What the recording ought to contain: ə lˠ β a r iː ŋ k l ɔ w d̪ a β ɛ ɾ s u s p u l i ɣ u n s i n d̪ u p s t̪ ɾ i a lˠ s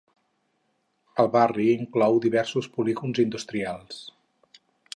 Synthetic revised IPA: ə lˠ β a r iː ŋ k l ɔ w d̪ i β ɛ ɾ s u s p u l i ɣ u n z i n d̪ u s t̪ ɾ i a lˠ s